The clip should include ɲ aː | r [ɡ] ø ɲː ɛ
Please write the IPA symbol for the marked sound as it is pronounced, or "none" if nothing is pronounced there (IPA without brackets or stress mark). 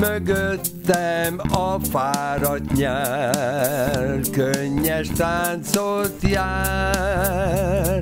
k